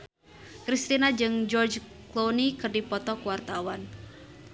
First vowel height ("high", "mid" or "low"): high